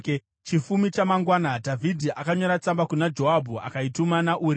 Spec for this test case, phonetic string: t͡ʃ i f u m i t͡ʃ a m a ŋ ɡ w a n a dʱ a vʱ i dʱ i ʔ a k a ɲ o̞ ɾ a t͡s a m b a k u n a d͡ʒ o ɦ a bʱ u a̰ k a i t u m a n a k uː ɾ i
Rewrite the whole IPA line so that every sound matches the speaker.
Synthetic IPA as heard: t͡ʃ i f u m i t͡ʃ a m a ŋ ɡ w a n a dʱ a vʱ i dʱ i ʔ a k a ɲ o̞ ɾ a t͡s a m b a k u n a d͡ʒ o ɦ a bʱ u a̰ k a i t u m a n a ʔ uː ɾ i